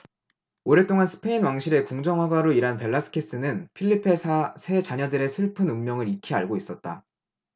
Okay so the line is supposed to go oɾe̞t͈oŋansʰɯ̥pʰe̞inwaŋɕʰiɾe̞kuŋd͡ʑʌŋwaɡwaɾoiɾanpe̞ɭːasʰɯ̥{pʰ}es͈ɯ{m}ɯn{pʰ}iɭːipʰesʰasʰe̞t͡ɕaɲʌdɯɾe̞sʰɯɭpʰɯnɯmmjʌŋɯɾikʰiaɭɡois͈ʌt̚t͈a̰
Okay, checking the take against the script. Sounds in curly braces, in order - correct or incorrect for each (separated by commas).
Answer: incorrect, incorrect, correct